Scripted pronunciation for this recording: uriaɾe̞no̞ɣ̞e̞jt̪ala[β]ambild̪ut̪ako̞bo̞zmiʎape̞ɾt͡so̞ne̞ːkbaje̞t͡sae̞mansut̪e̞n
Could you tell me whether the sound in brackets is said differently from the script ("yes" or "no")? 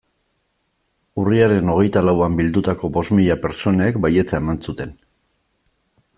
yes